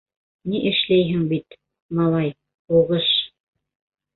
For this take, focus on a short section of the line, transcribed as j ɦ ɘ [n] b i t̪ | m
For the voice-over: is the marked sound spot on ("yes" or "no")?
no